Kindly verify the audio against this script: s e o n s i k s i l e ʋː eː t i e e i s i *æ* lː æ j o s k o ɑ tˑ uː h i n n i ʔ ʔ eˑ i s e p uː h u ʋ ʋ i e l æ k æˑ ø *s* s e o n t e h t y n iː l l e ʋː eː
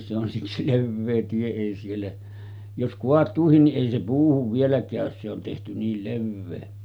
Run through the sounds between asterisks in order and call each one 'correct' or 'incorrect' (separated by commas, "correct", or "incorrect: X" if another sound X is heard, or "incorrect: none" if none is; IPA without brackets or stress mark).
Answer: incorrect: e, correct